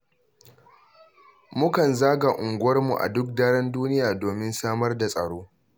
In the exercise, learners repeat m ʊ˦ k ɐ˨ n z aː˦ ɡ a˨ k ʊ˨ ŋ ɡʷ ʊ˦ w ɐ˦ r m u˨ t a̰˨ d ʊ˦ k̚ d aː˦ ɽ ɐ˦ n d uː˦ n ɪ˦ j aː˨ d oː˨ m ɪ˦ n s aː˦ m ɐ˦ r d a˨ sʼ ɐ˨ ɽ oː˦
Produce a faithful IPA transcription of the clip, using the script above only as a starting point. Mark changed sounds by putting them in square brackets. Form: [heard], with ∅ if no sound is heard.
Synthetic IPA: m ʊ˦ k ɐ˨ n z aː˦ ɡ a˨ [ʔ] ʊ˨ ŋ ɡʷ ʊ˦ w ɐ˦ r m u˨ [ʔ] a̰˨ d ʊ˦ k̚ d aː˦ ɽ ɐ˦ n d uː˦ n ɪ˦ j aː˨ d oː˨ m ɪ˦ n s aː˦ m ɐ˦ r d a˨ sʼ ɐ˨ ɽ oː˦